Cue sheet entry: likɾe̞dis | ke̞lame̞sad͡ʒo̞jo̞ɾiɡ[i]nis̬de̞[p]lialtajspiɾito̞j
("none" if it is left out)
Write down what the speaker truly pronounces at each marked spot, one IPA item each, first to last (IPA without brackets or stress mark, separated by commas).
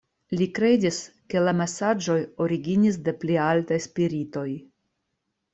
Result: i, p